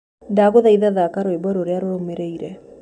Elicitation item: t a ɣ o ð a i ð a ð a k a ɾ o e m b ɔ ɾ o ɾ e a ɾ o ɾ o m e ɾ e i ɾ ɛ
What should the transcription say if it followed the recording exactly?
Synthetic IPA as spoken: d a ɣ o ð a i ð a ð a k a ɾ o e b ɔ ɾ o ɾ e a ɾ o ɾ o m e ɾ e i ɾ ɛ